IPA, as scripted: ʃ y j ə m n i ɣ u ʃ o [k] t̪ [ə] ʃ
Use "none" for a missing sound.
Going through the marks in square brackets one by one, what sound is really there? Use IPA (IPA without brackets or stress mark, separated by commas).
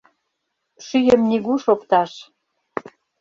p, ɑ